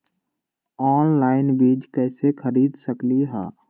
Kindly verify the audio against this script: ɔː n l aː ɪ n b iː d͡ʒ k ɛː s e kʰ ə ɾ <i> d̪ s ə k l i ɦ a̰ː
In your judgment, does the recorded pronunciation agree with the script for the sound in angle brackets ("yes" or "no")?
no